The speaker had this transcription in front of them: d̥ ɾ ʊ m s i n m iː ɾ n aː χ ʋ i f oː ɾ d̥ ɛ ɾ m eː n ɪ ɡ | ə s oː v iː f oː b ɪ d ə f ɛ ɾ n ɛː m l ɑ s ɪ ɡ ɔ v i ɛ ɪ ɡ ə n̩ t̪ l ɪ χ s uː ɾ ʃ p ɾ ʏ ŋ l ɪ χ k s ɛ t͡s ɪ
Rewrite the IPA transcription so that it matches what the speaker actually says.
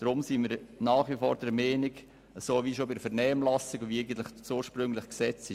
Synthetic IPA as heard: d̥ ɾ ʊ m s i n m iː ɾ n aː χ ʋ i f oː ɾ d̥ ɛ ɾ m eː n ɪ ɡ | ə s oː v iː ʃ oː b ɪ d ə f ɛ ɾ n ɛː m l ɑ s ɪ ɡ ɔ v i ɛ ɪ ɡ ə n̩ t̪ l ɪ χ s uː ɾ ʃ p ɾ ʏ ŋ l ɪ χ k s ɛ t͡s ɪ

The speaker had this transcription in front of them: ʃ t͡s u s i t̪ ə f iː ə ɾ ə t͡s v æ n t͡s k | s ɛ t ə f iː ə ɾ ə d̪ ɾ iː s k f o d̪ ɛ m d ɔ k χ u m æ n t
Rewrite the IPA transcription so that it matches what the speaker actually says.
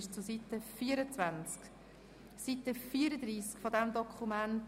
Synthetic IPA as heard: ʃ t͡s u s i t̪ ə f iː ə ɾ ə t͡s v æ n t͡s k | s i t ə f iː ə ɾ ə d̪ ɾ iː s k f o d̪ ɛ m d ɔ k χ u m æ n t

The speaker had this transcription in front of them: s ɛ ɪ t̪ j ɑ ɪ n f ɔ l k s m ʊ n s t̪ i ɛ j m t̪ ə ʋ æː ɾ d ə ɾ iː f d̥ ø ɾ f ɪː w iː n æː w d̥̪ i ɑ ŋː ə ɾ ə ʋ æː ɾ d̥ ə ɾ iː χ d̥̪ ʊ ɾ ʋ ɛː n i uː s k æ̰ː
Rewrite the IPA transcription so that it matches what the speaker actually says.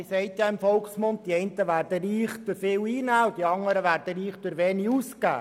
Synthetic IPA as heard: s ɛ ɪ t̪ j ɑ ɪ m f ɔ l k s m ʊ n t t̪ i ɛ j n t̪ ə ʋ æː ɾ d ə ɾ iː χ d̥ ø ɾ f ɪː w iː n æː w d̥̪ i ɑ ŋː ə ɾ ə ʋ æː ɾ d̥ ə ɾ iː χ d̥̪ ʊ ɾ ʋ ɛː n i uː s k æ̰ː

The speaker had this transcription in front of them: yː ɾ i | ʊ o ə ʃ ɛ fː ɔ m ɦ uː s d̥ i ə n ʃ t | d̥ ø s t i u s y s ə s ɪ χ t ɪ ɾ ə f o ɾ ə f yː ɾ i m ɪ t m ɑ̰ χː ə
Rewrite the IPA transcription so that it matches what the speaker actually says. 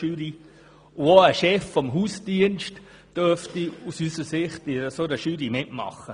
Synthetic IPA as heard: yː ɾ i | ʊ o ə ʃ ɛ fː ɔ m ɦ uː s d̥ i ə n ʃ t | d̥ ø f t i u s y s ə s ɪ χ t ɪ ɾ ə s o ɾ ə ʃ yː ɾ i m ɪ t m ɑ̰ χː ə

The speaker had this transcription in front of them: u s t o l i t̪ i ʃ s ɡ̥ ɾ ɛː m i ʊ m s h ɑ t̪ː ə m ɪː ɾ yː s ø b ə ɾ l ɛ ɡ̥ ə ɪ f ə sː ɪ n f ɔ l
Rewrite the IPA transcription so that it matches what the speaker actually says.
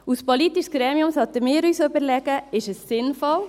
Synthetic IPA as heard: u s p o l i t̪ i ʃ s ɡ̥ ɾ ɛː m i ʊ m s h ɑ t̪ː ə m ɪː ɾ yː s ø b ə ɾ l ɛ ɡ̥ ə ɪ ʃ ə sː ɪ n f ɔ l

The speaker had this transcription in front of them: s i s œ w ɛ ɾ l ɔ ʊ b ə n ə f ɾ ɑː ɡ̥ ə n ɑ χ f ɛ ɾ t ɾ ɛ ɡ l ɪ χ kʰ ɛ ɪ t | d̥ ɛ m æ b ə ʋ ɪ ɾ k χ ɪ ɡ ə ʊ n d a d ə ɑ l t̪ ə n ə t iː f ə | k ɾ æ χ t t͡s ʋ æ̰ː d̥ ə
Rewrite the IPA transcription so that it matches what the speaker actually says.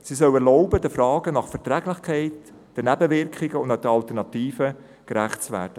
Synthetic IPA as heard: s i s œ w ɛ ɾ l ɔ ʊ b ə d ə f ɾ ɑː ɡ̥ ə n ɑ χ f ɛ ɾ t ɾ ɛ ɡ l ɪ χ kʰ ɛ ɪ t | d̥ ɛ n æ b ə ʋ ɪ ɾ k χ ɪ ɡ ə ʊ n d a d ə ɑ l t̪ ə n ɑ t iː f ə | k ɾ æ χ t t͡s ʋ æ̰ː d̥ ə

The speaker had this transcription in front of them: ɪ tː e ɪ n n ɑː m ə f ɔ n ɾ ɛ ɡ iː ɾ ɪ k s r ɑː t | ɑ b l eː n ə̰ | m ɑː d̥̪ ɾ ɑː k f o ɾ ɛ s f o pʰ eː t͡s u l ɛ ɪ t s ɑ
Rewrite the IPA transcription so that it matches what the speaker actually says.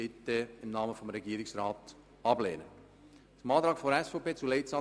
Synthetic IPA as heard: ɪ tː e ɪ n n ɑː m ə f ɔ m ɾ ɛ ɡ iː ɾ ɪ k s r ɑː t | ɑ b l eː n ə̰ | m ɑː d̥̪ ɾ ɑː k f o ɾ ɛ s f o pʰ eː t͡s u l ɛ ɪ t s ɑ

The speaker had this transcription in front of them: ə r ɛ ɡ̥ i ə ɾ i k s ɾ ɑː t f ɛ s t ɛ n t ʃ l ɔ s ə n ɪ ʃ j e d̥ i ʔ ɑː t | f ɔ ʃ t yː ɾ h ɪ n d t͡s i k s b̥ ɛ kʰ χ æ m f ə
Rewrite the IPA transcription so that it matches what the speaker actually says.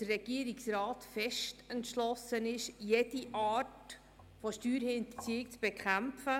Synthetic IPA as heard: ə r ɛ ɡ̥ i ə ɾ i k s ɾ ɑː t f ɛ ʃ t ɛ n t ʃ l ɔ s ə n ɪ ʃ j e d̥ i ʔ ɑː t | f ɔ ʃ t yː ɾ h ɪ n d t͡s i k t͡s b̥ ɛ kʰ χ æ m f ə

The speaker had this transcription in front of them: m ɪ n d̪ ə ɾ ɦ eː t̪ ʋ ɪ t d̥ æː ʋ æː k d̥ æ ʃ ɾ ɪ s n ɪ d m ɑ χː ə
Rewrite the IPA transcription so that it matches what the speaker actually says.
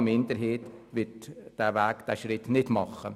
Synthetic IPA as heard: m ɪ n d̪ ə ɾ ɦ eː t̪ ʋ ɪ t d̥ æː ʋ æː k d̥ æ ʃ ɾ ɪ t n ɪ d m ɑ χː ə

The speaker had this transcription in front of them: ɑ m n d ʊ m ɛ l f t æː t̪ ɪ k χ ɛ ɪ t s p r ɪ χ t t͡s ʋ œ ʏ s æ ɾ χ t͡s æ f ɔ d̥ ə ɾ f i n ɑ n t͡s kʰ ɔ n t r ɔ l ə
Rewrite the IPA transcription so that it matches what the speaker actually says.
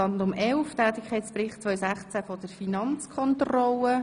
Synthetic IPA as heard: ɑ n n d ʊ m ɛ l f t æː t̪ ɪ k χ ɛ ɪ t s p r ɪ χ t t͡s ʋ œ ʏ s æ χ t͡s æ f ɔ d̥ ə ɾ f i n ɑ n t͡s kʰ ɔ n t r ɔ l ə

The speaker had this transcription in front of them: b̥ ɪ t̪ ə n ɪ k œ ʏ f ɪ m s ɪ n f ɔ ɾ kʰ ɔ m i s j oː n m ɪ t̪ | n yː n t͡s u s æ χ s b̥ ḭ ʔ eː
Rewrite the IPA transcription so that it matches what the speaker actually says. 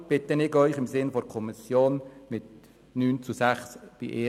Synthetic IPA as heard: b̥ ɪ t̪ ə n ɪ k œ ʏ χ ɪ m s ɪ n f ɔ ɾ kʰ ɔ m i s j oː n m ɪ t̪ | n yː n t͡s u s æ χ s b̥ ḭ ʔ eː

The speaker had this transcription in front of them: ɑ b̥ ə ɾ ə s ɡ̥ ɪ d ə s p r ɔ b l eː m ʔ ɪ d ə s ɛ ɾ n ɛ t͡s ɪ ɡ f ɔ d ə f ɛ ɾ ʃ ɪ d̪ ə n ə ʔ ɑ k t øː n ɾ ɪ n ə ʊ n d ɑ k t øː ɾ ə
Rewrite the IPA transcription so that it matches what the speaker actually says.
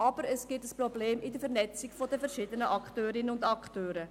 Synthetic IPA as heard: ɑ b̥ ə ɾ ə s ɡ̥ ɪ t ə s p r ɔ b l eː m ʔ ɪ d ə f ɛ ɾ n ɛ t͡s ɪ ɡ f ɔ d ə f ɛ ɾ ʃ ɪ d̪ ə n ə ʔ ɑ k t øː ɾ ɪ n ə ʊ n d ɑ k t øː ɾ ə

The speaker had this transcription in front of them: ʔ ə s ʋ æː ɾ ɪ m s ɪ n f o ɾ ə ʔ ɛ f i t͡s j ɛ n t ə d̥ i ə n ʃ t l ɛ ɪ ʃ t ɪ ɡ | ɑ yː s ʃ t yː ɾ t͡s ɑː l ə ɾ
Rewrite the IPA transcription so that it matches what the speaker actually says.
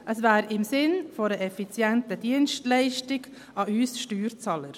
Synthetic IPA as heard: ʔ ə s v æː ɾ ɪ m s ɪ n f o ɾ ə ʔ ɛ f i t͡s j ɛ n t ə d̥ i ə n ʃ t l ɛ ɪ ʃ t ɪ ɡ | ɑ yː s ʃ t yː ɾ t͡s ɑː l ə ɾ

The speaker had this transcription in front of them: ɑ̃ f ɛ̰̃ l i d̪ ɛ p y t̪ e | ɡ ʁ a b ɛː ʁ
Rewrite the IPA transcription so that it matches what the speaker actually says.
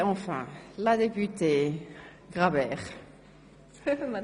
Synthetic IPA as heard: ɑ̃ f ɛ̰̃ l a d̪ e p y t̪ e | ɡ ʁ a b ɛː ʁ

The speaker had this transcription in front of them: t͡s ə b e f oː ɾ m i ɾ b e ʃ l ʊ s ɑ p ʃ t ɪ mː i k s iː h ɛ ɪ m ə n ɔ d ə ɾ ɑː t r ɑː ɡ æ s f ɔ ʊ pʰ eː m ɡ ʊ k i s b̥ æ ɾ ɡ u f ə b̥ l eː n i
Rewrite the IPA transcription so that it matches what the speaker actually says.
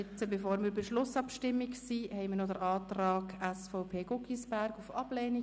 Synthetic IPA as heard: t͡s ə b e f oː ɾ m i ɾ b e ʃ l ʊ s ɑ p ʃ t ɪ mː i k s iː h ɛ ɪ m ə n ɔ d ə ɾ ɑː t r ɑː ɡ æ s f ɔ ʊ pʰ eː ɡ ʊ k i s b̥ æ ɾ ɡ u f ɑ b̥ l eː n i

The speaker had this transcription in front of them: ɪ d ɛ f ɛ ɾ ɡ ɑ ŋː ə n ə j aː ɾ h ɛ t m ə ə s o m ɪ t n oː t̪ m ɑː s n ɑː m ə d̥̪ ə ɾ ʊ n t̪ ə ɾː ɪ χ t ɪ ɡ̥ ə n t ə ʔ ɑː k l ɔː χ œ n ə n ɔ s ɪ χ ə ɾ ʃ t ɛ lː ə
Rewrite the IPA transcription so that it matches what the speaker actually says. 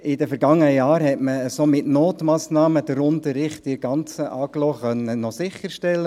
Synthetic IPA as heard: ɪ d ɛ f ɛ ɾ ɡ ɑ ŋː ə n ə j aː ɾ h ɛ t m ə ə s o m ɪ t n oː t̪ m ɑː s n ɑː m ə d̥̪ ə ɾ ʊ n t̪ ə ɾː ɪ χ t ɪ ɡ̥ ɑ n t͡s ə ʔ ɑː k l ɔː χ œ n ə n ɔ s ɪ χ ə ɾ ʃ t ɛ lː ə

